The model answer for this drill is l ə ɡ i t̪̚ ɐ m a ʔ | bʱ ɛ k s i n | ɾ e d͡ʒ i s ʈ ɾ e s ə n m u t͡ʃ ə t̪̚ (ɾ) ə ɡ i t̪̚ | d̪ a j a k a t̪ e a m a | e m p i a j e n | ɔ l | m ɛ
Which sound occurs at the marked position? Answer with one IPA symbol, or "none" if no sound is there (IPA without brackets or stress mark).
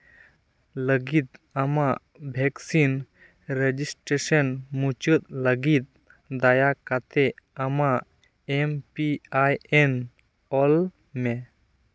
l